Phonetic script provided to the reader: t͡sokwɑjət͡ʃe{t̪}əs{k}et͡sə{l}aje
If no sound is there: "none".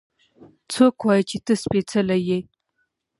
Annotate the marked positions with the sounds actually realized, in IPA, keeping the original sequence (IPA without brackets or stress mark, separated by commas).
t̪, p, l